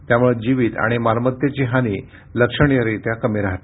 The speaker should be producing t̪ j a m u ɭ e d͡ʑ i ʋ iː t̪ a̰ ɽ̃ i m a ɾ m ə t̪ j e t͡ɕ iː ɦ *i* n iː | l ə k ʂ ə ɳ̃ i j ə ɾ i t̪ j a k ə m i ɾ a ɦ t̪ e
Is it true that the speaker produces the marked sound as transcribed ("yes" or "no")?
no